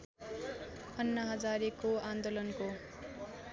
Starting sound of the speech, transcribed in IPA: ʌ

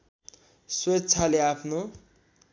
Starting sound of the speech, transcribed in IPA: s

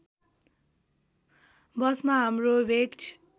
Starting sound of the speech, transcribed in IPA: b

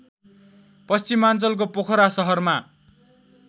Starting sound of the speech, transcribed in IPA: p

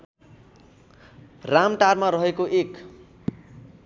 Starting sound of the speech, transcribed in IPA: r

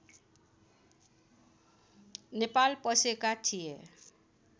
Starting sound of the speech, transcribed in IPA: n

